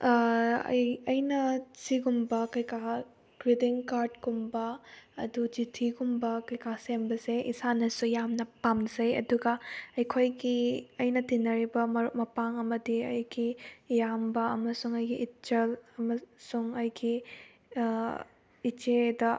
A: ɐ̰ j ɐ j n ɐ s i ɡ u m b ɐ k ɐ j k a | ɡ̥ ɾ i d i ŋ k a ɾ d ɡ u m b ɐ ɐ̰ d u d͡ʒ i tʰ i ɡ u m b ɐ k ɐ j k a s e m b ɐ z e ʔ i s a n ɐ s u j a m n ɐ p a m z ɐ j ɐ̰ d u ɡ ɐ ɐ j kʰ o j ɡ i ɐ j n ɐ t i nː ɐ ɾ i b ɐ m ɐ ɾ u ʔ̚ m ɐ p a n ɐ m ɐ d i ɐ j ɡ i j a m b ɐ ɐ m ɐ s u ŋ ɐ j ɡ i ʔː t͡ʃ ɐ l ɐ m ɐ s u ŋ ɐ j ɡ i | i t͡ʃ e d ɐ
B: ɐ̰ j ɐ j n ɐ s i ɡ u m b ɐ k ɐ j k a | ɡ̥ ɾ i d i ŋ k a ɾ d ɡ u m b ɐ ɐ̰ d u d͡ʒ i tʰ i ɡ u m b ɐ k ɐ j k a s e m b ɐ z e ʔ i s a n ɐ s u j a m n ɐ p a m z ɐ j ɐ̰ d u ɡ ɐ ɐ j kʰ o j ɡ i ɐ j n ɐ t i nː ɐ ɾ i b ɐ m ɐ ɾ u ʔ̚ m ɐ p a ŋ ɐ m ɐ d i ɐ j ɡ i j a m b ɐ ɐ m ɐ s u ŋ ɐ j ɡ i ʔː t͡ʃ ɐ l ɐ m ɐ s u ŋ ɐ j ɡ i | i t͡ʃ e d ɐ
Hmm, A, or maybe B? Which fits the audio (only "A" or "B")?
B